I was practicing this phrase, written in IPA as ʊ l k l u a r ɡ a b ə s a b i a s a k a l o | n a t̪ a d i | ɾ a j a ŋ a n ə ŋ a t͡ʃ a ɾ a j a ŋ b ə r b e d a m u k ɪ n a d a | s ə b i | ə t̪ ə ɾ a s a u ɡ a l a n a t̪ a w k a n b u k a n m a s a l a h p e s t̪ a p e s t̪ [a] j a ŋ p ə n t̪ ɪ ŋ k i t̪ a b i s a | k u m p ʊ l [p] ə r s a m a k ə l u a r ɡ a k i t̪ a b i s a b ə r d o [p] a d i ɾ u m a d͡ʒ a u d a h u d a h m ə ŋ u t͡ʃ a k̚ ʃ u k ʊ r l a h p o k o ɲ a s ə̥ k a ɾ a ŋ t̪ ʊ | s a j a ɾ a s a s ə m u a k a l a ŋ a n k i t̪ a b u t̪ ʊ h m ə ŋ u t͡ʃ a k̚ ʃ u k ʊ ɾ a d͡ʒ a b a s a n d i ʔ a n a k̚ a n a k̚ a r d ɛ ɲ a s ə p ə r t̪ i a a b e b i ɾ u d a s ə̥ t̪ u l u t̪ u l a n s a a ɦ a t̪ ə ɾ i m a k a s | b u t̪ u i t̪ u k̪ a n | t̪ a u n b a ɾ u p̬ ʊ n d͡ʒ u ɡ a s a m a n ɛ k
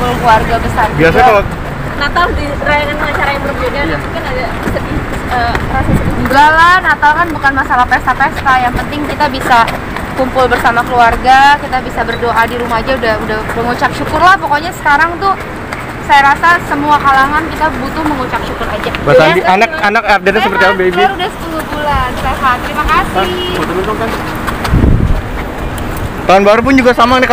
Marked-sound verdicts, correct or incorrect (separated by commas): correct, incorrect, incorrect